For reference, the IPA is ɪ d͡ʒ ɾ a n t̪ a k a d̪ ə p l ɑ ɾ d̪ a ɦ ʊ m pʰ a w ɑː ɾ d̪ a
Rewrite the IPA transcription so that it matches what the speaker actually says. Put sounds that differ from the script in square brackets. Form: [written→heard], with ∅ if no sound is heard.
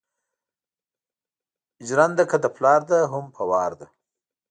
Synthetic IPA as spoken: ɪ d͡ʒ ɾ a n [t̪→d̪] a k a d̪ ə p l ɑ ɾ d̪ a ɦ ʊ m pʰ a w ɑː ɾ d̪ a